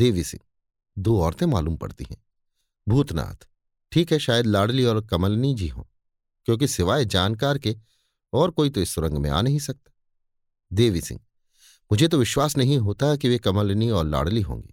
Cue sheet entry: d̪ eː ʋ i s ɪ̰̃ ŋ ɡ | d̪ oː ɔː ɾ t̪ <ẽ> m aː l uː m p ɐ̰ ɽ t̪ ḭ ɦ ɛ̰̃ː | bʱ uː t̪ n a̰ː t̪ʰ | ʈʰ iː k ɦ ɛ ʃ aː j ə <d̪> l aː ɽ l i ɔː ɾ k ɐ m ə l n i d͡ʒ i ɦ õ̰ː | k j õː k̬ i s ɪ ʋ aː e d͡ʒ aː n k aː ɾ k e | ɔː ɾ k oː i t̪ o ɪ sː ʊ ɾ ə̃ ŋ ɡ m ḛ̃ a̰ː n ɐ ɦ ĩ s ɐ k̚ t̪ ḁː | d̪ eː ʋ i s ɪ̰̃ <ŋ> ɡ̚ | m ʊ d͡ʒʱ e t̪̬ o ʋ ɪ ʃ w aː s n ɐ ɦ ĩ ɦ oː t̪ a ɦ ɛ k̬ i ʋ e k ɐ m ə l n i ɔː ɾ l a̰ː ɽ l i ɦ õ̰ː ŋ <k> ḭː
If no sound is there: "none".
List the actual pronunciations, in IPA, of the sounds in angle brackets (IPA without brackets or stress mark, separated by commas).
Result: ẽ, d̪, ŋ, ɡ